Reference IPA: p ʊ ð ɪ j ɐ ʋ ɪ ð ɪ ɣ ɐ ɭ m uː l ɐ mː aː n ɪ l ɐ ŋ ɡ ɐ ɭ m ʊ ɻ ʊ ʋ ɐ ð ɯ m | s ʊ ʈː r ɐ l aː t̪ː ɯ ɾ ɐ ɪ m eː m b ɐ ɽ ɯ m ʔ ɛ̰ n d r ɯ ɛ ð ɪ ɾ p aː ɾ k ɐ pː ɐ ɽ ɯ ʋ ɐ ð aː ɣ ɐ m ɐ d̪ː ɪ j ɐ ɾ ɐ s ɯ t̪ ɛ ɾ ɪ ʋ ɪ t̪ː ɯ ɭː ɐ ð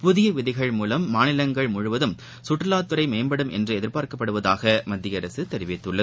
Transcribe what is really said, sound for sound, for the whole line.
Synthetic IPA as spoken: p ʊ ð ɪ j ɐ ʋ ɪ ð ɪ ɣ ɐ ɭ m uː l ɐ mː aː n ɪ l ɐ ŋ ɡ ɐ ɭ m ʊ ɻ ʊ ʋ ɐ ð ɯ m | s ʊ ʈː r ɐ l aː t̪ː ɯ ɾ ɐ ɪ m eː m b ɐ ɽ ɯ m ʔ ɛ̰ n d r ɯ ɛ ð ɪ ɾ p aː ɾ k ɐ pː ɐ ɽ ɯ ʋ ɐ ð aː ɣ ɐ m ɐ d̪ː ɪ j ɐ ɾ ɐ s ɯ t̪ ɛ ɾ ɪ ʋ ɪ t̪ː ɯ ɭː ɐ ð